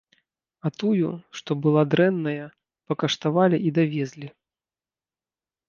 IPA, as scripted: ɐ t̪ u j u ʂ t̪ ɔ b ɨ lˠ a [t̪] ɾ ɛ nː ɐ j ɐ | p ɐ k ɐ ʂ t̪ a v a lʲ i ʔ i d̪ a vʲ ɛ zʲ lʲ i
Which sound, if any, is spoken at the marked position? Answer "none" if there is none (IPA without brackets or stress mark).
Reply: d̪